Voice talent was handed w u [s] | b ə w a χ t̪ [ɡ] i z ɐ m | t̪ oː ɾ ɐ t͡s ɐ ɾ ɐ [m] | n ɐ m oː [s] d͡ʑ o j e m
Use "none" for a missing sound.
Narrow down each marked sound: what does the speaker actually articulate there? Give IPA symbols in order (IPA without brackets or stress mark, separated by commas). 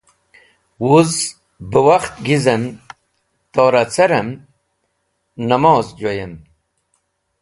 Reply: z, ɡ, m, z